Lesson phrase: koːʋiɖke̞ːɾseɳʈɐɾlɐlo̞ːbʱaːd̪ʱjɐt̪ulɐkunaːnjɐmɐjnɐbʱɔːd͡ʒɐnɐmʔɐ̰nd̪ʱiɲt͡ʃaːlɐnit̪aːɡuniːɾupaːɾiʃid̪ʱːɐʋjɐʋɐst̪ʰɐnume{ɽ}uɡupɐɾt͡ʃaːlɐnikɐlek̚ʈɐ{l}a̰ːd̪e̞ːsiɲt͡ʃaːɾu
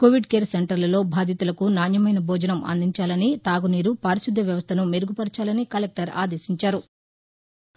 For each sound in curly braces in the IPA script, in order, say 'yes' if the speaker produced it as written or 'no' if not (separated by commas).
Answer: no, no